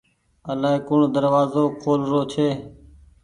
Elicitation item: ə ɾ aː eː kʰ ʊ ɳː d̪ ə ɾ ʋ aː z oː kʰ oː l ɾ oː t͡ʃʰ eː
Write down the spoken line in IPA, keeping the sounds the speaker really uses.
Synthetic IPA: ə l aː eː k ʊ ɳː d̪ ə ɾ ʋ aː z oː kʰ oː l ɾ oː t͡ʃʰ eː